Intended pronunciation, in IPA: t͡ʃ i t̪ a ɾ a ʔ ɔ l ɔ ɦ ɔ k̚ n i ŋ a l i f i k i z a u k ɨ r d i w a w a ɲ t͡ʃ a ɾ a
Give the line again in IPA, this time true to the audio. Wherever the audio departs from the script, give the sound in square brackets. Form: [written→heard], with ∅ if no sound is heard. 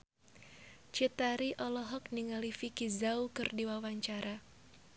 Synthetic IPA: t͡ʃ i t̪ a ɾ [a→i] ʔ ɔ l ɔ ɦ ɔ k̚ n i ŋ a l i f i k i z a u k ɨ r d i w a w a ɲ t͡ʃ a ɾ a